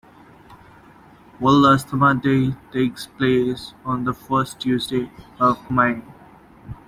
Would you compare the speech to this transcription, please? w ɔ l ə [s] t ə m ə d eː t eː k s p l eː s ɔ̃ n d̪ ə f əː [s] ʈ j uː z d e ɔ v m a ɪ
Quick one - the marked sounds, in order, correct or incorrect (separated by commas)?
correct, correct